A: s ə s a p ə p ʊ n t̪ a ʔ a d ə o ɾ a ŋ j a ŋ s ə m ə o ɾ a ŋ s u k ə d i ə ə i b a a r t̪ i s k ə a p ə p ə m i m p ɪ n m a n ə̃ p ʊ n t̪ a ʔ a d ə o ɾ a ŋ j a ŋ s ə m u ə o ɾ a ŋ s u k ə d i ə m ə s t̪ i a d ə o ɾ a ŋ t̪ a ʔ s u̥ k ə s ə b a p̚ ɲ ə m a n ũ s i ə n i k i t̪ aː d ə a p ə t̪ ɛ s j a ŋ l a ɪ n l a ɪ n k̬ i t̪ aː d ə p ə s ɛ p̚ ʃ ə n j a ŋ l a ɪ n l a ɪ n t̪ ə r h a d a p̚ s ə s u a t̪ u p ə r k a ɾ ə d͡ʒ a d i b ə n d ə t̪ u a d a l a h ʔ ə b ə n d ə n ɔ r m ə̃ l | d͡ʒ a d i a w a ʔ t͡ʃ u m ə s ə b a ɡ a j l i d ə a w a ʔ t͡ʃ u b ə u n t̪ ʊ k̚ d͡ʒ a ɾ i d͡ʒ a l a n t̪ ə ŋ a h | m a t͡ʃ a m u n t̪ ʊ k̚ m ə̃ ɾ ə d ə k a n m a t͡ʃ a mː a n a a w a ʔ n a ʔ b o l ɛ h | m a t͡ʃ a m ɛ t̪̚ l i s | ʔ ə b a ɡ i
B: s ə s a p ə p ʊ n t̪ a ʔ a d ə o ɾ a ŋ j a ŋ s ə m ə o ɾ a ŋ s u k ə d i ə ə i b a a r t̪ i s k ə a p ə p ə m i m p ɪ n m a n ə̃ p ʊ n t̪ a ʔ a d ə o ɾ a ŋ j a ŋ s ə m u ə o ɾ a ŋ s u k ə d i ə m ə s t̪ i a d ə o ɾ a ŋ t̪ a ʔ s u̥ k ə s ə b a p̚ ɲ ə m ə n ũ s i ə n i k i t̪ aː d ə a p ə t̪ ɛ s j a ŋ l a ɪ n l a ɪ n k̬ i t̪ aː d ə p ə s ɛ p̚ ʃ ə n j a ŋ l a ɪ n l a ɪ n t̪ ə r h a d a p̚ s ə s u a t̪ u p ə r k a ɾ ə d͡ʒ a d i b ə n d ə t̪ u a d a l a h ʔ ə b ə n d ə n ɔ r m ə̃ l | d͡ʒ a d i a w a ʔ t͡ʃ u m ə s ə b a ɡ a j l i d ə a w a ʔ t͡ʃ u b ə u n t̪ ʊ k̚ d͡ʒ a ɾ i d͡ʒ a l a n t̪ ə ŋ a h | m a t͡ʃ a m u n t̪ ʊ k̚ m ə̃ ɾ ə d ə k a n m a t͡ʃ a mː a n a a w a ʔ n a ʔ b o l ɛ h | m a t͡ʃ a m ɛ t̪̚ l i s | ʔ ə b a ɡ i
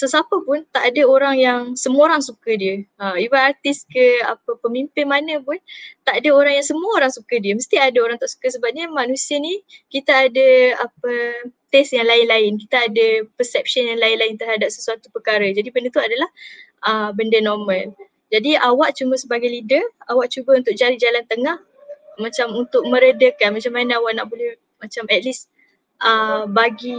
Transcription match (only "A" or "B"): A